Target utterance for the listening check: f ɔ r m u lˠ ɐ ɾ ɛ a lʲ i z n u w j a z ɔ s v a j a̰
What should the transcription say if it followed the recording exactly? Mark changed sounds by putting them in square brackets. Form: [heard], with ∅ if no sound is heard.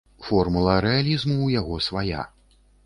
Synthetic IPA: f ɔ r m u lˠ ɐ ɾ ɛ a lʲ i z [m] u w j a [ɣ] ɔ s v a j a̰